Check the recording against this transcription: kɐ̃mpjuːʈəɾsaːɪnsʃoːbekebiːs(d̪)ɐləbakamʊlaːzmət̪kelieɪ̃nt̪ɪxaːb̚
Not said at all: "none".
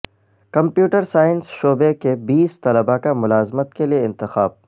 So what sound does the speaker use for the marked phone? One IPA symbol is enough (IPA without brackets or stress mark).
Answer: t̪